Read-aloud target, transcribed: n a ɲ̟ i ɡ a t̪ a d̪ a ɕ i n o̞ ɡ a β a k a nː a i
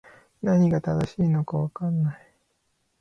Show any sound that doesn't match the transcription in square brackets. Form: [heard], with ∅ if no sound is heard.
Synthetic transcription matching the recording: n a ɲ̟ i ɡ a t̪ a d̪ a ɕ [iː] n o̞ [k] a β a k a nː a i